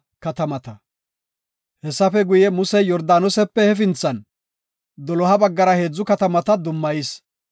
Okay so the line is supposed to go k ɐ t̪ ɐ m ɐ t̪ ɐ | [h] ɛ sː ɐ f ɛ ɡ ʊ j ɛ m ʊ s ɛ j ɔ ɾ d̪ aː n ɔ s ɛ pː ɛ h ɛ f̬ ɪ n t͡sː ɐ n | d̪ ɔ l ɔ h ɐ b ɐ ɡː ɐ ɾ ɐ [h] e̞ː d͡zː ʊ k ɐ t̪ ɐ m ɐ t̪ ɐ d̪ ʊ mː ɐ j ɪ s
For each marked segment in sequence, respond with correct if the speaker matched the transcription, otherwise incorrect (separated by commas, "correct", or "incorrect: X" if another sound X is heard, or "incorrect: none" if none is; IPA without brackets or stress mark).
correct, correct